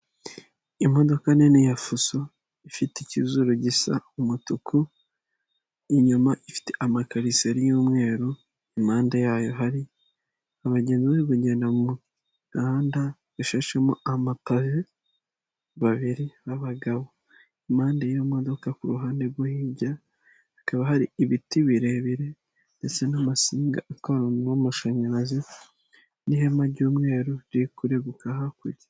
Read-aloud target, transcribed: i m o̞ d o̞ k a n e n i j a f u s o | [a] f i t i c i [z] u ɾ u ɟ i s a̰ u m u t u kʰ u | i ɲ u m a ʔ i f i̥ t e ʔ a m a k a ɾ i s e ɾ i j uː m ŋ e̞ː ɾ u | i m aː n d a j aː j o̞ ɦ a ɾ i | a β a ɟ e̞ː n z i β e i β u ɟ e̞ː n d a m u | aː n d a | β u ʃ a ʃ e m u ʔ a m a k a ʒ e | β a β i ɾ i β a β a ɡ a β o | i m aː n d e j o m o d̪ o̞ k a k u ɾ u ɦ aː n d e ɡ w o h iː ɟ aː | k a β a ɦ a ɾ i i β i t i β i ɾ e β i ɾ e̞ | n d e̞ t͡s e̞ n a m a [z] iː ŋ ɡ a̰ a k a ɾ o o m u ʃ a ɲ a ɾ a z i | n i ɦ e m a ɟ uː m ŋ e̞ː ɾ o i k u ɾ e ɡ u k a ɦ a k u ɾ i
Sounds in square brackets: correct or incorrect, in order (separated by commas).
incorrect, correct, incorrect